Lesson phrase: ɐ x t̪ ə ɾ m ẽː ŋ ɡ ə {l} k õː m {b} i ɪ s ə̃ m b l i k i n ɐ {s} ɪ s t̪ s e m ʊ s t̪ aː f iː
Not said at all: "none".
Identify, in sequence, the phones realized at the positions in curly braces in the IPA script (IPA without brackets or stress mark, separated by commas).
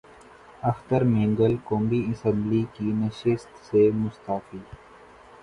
l, b, ʃ